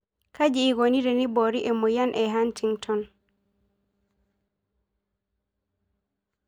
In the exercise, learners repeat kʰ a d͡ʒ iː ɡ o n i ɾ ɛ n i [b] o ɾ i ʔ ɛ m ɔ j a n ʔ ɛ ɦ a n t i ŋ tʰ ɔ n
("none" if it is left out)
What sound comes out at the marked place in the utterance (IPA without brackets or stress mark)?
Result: b